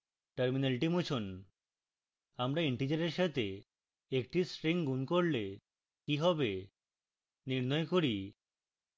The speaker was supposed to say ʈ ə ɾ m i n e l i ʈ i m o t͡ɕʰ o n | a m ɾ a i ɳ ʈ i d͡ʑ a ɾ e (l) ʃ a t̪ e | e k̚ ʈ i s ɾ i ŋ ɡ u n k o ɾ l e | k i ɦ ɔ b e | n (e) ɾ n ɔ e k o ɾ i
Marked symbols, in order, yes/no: no, no

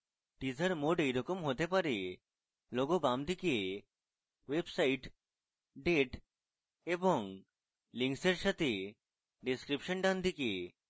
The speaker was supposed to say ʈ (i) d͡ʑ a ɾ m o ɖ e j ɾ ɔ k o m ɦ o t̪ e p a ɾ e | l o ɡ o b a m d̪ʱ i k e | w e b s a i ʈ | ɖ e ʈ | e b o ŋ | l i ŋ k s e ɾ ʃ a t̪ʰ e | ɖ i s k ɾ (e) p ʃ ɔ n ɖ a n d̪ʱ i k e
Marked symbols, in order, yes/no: yes, no

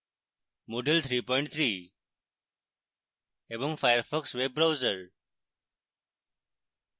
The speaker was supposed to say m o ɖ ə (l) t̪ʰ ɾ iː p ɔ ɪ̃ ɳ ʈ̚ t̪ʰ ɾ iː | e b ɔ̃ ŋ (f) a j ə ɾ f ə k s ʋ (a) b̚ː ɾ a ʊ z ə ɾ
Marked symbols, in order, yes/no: yes, yes, no

